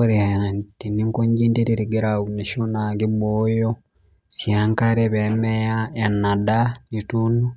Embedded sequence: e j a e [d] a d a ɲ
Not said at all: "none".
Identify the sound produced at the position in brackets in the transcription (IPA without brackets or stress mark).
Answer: n